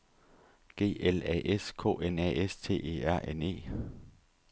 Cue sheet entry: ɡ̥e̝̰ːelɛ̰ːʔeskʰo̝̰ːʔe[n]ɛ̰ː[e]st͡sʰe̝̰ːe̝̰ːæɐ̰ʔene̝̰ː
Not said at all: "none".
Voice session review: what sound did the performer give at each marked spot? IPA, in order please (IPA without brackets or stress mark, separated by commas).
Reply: n, e